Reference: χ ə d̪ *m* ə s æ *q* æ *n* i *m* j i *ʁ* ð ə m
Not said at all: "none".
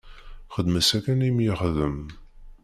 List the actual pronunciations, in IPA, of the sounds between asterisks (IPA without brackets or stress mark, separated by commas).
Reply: m, k, n, m, χ